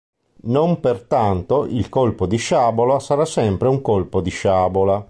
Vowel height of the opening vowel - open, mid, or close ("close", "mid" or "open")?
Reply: mid